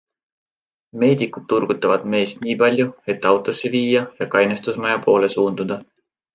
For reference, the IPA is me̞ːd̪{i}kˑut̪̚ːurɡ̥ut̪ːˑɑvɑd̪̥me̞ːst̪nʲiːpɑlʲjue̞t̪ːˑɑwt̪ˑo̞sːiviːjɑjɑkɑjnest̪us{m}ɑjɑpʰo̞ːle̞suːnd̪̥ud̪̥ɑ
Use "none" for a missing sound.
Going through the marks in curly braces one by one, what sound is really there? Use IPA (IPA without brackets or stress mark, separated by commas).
i, m